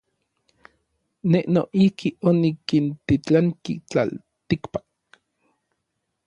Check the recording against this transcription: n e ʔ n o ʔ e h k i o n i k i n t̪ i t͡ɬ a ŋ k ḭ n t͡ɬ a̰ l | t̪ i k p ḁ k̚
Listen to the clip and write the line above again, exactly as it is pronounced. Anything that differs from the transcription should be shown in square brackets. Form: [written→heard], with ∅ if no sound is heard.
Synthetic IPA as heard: n e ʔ n o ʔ [e→i] h k i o n i k i n t̪ i t͡ɬ a ŋ k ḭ [n→∅] t͡ɬ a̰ l | t̪ i k p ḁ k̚